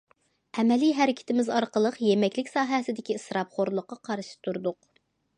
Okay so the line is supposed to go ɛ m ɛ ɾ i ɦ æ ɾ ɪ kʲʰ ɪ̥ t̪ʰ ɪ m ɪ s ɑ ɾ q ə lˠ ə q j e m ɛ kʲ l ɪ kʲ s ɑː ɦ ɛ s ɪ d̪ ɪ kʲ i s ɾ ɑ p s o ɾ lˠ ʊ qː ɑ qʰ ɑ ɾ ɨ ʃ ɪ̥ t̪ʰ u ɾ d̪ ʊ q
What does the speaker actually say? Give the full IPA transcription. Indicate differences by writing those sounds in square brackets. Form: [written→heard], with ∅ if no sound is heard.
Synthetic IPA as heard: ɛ m ɛ [ɾ→l] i ɦ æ ɾ ɪ kʲʰ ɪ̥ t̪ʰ ɪ m ɪ [s→z] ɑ ɾ q ə lˠ ə q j e m ɛ kʲ l ɪ kʲ s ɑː ɦ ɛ s ɪ d̪ ɪ kʲ i s ɾ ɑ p [s→χ] o ɾ lˠ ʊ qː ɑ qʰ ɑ ɾ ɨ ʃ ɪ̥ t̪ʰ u ɾ d̪ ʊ q